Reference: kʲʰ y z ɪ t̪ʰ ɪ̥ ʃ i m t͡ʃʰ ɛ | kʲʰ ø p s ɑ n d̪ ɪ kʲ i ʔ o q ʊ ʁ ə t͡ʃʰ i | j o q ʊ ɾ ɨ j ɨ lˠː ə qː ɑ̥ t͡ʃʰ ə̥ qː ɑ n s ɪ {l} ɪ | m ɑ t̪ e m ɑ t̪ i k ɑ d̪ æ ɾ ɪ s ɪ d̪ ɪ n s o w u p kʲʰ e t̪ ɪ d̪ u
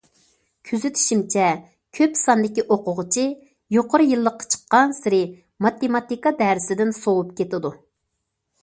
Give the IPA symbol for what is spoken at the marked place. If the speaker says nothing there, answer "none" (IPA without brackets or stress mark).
ɾ